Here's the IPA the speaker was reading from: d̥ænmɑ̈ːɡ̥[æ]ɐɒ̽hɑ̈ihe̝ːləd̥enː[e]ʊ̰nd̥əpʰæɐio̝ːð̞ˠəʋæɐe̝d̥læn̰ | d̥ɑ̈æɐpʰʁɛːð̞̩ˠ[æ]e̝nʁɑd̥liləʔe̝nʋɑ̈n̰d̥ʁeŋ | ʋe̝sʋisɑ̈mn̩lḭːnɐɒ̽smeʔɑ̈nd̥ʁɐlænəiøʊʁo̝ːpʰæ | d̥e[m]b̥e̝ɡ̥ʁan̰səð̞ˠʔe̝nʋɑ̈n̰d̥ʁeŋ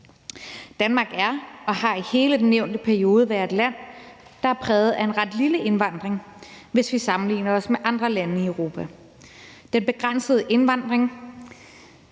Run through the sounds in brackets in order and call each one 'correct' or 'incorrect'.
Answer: correct, correct, correct, incorrect

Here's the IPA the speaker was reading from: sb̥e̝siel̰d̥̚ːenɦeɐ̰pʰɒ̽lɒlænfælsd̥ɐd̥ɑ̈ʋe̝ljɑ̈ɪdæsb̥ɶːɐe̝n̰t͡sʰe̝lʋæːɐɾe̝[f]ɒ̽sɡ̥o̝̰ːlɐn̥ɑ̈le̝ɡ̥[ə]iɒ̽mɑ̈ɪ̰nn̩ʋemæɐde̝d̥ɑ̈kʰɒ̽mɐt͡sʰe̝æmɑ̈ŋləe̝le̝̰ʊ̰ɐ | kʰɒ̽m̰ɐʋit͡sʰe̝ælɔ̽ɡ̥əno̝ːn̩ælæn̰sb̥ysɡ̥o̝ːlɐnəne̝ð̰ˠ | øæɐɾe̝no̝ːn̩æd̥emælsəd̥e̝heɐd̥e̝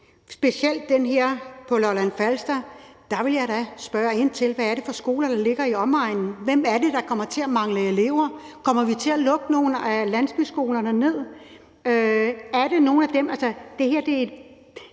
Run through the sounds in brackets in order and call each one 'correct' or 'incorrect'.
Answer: correct, incorrect

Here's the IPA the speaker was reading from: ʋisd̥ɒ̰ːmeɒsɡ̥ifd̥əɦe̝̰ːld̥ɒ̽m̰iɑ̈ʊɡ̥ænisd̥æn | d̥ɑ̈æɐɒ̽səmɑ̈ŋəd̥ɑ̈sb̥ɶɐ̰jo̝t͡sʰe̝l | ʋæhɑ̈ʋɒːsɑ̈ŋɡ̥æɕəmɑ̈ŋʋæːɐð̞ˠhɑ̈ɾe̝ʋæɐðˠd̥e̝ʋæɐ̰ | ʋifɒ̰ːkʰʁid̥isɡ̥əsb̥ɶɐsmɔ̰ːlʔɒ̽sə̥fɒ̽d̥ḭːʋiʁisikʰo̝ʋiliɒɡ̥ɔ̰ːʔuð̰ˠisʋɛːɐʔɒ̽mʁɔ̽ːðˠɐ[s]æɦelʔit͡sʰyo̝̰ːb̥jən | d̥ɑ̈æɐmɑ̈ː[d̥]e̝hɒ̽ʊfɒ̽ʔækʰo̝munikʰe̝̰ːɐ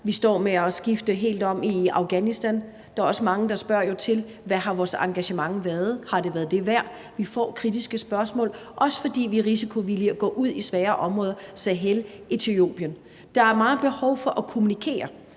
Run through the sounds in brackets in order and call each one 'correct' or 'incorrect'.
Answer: correct, incorrect

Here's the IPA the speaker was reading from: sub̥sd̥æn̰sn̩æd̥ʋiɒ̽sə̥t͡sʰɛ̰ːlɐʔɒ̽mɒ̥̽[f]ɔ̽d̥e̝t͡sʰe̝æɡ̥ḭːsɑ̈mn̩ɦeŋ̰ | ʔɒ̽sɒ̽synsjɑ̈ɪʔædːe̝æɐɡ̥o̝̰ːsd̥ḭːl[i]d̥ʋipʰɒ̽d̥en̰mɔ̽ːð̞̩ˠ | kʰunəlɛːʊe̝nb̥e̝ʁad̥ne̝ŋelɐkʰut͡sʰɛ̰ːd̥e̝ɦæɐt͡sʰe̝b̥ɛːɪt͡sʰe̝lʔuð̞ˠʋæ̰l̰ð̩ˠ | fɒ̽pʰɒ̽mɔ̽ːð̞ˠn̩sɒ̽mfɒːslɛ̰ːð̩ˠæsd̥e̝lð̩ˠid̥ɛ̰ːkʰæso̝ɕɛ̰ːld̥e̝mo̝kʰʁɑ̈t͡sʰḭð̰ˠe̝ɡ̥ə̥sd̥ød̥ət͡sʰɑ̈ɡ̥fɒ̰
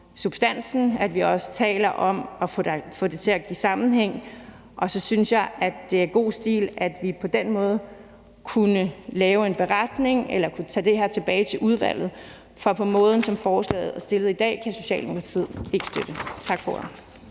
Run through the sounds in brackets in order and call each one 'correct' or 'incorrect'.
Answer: correct, incorrect

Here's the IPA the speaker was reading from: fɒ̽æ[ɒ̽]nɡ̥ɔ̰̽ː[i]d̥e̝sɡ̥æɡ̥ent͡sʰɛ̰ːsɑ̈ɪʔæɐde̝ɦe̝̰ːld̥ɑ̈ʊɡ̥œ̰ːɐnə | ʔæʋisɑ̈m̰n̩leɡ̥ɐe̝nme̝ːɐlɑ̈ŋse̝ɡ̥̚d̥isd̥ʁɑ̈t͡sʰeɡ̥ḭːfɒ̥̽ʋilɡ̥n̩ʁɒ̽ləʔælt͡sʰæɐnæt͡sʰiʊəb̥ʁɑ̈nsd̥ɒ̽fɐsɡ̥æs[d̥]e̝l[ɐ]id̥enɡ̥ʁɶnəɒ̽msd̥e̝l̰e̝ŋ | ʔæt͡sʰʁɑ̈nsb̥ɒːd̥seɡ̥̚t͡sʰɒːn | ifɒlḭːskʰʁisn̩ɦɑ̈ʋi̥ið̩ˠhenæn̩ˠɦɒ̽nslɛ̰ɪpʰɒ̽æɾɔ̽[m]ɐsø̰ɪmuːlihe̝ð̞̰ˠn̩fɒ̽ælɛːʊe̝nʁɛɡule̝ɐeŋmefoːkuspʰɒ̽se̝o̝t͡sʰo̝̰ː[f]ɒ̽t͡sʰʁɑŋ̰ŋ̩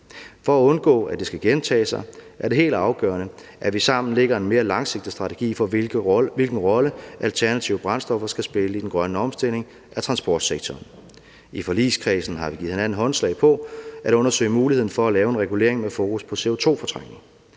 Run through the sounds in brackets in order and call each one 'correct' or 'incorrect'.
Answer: incorrect, incorrect, incorrect, incorrect, incorrect, correct

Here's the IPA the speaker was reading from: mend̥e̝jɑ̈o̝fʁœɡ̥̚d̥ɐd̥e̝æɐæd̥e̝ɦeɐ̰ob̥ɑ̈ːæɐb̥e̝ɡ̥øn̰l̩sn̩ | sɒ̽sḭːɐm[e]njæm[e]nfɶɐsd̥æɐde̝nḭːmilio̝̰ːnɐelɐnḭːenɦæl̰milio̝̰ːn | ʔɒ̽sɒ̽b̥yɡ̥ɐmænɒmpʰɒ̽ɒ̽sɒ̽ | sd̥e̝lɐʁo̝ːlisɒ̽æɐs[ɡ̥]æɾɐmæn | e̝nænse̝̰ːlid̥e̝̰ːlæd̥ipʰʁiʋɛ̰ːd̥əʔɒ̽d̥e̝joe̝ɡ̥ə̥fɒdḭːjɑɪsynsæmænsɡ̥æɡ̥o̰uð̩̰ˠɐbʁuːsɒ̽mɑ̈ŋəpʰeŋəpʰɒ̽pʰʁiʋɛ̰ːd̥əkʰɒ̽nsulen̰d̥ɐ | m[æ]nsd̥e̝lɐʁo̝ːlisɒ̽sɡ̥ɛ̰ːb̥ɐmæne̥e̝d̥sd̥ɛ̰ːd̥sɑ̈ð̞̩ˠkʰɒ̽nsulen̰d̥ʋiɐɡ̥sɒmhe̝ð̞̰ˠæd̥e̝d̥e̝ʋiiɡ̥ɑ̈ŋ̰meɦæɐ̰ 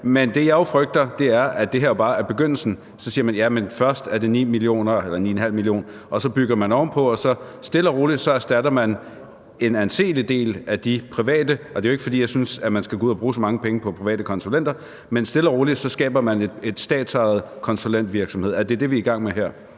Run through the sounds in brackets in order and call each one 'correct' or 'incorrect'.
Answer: incorrect, correct, incorrect, incorrect

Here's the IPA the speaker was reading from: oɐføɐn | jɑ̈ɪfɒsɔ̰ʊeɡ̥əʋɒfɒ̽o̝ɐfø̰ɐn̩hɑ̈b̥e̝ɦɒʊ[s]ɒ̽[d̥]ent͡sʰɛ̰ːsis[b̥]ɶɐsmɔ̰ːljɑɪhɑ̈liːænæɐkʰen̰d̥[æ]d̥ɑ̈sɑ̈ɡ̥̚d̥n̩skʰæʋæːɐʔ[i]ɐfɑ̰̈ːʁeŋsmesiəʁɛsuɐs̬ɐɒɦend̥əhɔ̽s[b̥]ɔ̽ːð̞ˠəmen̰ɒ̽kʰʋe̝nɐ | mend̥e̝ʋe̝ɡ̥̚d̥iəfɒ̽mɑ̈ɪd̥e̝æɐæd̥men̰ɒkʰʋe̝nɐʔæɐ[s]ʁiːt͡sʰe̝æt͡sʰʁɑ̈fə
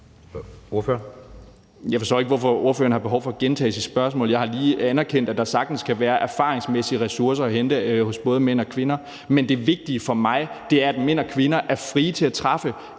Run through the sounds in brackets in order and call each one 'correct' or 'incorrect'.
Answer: incorrect, incorrect, correct, correct, incorrect, correct, incorrect

